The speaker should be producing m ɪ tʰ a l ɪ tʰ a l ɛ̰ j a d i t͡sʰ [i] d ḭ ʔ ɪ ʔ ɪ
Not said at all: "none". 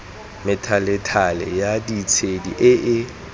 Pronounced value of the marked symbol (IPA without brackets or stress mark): e